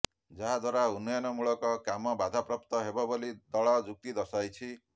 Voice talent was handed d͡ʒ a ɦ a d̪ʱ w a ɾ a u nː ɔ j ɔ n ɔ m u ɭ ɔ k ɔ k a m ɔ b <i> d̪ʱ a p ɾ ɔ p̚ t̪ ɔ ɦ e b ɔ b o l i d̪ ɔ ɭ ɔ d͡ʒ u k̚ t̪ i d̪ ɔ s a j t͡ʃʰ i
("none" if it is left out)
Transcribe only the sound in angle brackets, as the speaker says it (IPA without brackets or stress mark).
a